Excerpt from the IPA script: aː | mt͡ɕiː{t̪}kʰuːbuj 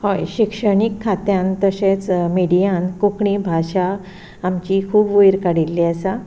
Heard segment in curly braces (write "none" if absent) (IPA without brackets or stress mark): none